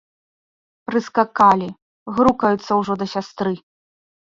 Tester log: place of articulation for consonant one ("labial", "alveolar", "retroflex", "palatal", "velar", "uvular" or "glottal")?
labial